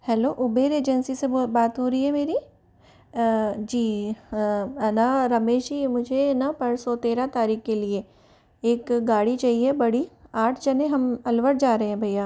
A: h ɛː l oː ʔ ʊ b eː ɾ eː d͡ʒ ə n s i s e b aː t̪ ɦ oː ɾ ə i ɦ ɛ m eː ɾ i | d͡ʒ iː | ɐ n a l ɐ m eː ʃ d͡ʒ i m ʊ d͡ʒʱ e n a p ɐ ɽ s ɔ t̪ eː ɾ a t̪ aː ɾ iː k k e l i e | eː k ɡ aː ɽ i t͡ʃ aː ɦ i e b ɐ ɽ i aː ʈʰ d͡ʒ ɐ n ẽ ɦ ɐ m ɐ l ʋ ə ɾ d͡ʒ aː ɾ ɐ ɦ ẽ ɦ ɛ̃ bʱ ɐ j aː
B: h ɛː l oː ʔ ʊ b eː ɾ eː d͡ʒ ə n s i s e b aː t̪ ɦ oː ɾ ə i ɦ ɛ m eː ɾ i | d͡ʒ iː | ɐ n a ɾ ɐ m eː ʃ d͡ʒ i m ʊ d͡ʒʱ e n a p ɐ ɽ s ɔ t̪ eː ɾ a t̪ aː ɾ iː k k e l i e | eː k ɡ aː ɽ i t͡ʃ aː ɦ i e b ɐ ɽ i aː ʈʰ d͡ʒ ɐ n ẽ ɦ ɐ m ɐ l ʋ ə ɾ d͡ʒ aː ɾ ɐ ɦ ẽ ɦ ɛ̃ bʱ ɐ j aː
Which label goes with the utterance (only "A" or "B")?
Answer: B